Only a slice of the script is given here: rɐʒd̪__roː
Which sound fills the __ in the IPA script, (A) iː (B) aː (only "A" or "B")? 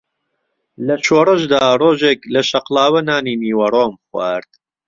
B